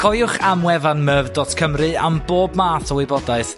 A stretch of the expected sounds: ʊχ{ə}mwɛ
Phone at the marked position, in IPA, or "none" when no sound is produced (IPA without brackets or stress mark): a